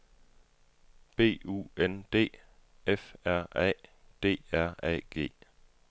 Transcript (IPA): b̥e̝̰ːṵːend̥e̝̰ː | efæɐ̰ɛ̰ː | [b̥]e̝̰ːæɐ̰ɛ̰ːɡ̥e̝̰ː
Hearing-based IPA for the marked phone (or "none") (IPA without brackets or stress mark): d̥